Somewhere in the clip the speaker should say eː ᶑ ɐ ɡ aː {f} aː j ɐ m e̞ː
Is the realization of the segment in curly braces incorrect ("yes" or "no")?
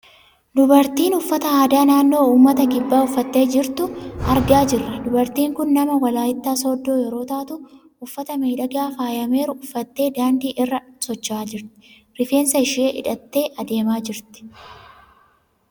no